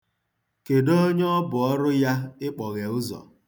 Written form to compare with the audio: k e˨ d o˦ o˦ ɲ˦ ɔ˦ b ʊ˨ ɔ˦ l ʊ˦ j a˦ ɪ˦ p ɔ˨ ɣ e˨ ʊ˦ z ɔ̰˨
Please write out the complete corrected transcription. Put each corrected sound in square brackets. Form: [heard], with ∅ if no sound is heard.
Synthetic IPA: k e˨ d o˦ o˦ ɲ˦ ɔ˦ b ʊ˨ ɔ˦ [ɾ] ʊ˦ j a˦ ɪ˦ [k͡p] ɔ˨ ɣ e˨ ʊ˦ z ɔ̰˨